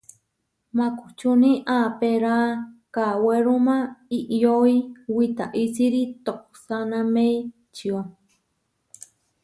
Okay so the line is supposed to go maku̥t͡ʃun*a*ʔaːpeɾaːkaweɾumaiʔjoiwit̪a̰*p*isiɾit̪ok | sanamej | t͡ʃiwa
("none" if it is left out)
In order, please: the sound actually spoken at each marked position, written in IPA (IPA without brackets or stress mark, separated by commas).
i, ʔ